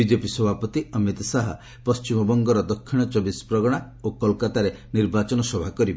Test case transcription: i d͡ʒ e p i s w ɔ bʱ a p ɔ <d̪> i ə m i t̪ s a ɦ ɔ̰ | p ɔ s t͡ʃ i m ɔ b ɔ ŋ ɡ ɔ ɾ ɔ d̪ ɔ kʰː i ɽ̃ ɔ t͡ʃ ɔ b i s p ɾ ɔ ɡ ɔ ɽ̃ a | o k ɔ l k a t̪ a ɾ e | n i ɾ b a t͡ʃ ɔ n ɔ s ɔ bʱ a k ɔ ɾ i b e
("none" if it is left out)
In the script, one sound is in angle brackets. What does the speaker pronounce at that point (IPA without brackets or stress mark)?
t̪